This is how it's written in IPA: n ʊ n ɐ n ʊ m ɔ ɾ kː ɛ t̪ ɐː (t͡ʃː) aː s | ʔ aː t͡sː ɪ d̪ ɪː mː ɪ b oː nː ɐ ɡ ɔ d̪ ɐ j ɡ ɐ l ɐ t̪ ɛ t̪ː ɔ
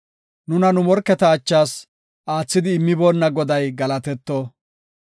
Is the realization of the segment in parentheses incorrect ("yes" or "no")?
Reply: no